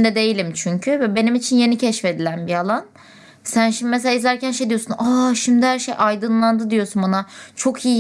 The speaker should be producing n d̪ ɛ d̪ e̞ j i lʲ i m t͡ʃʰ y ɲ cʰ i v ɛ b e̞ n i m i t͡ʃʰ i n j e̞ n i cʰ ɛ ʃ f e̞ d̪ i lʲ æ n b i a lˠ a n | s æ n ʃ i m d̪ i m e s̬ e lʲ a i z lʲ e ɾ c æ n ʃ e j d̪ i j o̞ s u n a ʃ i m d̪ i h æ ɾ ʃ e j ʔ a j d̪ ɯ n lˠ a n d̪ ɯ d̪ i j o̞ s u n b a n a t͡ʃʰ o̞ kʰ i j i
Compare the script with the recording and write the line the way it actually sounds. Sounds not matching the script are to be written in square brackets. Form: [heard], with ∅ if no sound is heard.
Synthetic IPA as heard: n d̪ ɛ d̪ e̞ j i lʲ i m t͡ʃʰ y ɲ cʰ [y] v ɛ b e̞ n i m i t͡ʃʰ i n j e̞ n i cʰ ɛ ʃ f e̞ d̪ i lʲ æ n b i a lˠ a n | s æ n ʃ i m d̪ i m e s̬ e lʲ a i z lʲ [æ] ɾ c æ n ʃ e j d̪ i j o̞ s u n a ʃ i m d̪ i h æ ɾ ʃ e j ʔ a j d̪ ɯ n lˠ a n d̪ ɯ d̪ i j o̞ s u n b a n a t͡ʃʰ o̞ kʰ i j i